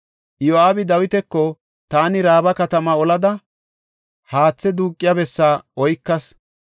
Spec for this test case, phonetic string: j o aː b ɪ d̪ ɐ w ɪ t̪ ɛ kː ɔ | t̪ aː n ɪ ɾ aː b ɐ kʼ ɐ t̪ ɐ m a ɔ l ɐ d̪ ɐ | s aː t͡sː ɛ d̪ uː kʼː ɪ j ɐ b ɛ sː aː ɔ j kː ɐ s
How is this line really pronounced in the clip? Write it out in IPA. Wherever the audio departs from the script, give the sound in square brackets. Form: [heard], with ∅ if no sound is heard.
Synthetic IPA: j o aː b ɪ d̪ ɐ w ɪ t̪ ɛ kː ɔ | t̪ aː n ɪ ɾ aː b ɐ [k] ɐ t̪ ɐ m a ɔ l ɐ d̪ ɐ | [h] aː t͡sː ɛ d̪ uː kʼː ɪ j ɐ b ɛ sː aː ɔ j kː ɐ s